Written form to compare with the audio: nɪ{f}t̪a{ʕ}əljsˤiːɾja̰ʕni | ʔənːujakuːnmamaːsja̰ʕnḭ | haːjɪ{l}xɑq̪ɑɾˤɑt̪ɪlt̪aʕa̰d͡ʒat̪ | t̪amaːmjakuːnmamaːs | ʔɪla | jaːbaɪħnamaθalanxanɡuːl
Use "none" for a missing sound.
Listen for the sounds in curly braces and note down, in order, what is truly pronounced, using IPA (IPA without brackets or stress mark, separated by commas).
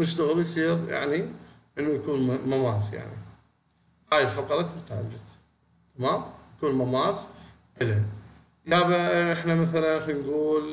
ʃ, ɣ, l